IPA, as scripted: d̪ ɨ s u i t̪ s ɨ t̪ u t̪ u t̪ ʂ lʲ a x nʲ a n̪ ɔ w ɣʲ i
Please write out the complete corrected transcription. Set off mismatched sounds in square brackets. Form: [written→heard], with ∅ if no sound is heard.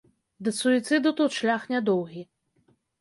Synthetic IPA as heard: d̪ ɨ s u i t̪ s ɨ [t̪→d̪] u t̪ u t̪ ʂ lʲ a x nʲ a [n̪→d̪] ɔ w ɣʲ i